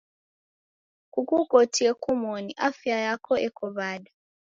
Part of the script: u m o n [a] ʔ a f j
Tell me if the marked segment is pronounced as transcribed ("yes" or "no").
no